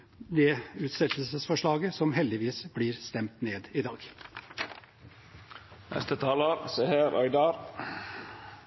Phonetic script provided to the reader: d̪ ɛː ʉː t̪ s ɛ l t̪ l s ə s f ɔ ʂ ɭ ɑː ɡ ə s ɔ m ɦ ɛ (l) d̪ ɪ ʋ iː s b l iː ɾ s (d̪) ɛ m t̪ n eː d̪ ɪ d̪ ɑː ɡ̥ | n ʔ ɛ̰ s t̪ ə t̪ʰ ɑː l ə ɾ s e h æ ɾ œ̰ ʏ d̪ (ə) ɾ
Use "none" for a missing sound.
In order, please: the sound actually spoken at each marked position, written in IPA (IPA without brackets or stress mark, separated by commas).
l, t̪, ɑ